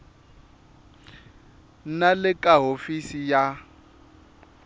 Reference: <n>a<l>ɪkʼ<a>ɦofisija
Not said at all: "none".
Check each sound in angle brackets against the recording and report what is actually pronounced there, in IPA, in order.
n, l, a

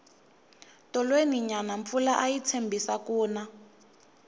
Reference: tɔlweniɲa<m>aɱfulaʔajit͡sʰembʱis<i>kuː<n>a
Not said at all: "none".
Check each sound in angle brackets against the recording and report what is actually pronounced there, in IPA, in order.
n, a, n

